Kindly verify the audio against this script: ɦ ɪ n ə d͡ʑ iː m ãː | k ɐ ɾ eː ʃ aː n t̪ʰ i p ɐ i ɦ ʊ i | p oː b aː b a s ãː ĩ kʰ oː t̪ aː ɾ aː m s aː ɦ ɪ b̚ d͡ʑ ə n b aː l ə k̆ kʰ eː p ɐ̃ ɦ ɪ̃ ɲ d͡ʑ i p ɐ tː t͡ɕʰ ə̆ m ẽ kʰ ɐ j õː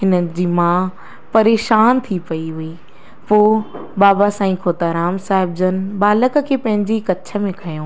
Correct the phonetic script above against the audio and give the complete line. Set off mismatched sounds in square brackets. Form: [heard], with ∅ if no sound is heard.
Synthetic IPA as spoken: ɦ ɪ n ə d͡ʑ iː m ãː | [p] ɐ ɾ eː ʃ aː n t̪ʰ i p ɐ i ɦ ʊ i | p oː b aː b a s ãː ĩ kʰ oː t̪ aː ɾ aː m s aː ɦ ɪ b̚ d͡ʑ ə n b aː l ə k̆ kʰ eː p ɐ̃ ɦ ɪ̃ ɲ d͡ʑ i [k] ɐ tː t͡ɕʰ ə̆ m ẽ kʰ ɐ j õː